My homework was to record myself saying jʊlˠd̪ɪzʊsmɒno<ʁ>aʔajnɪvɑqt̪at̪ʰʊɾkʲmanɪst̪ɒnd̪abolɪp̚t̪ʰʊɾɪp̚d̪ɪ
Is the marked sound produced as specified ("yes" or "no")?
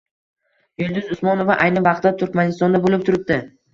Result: no